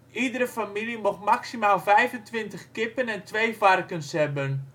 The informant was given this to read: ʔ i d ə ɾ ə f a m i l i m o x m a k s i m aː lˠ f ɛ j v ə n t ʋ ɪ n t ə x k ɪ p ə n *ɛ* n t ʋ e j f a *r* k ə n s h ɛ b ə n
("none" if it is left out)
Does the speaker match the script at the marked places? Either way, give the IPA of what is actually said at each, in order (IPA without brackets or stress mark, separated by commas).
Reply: ɛ, r